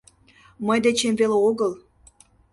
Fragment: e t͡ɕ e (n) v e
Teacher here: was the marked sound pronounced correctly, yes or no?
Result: no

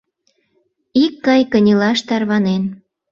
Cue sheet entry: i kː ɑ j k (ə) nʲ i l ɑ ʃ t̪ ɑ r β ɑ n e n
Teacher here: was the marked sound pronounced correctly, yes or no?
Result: yes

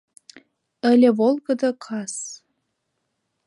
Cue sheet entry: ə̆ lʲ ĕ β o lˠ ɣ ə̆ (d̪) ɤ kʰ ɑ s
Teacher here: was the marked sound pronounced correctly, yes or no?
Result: yes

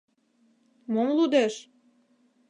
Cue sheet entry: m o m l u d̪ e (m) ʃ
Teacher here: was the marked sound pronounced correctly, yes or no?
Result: no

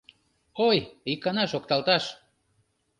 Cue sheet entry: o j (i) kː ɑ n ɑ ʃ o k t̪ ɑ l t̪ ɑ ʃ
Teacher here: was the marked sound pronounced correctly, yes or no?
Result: yes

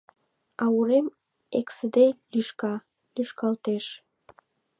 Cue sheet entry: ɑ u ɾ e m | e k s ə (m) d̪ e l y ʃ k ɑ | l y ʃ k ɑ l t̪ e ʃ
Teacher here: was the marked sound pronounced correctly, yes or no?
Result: no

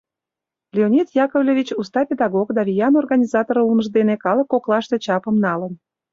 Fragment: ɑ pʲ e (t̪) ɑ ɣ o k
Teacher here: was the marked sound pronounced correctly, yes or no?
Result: no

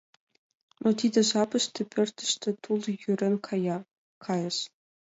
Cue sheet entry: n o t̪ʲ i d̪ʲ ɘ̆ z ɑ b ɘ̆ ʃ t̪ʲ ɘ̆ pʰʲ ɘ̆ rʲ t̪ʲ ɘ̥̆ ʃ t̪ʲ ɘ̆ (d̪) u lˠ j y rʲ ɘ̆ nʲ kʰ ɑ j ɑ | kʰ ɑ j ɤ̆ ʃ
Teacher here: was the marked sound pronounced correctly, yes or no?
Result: no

